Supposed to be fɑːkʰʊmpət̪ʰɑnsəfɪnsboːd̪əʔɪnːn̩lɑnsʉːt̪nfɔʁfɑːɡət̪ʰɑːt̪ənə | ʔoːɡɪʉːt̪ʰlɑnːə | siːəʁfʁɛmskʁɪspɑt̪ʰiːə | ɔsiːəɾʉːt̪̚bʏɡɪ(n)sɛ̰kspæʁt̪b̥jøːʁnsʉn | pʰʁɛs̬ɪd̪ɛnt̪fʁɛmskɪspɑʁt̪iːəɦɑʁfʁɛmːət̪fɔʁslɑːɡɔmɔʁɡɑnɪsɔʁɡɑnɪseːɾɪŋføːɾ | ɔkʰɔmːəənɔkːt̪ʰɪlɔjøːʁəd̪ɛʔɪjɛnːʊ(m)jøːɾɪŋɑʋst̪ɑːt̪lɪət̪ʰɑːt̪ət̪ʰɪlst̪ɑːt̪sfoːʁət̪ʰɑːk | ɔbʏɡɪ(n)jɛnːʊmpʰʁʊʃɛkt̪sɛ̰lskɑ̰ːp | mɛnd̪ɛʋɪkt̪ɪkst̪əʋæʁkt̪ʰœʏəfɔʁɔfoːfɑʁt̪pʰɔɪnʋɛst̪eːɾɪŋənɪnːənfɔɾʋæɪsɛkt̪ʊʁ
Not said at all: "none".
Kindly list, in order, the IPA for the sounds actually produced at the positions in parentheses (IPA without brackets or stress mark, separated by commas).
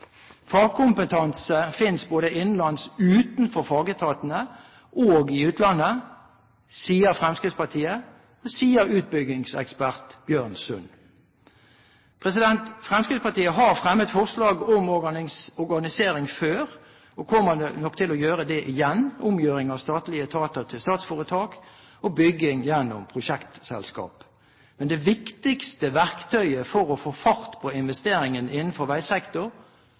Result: ŋ, m, ŋ